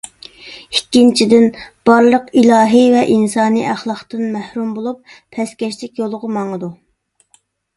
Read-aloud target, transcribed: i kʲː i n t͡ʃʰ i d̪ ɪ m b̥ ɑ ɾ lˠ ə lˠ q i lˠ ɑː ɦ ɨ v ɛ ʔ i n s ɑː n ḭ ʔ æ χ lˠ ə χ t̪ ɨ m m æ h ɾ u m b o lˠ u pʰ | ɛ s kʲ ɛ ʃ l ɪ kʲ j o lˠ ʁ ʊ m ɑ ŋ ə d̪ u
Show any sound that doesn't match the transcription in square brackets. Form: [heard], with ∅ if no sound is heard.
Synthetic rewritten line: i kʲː i n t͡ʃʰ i d̪ ɪ [n] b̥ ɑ ɾ lˠ ə [∅] q i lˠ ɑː ɦ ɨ v ɛ ʔ i n s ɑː n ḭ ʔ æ χ lˠ [ɑ] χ t̪ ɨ [n] m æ h ɾ u m b o lˠ u pʰ | ɛ s kʲ ɛ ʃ l ɪ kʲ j o lˠ ʁ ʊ m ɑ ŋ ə d̪ u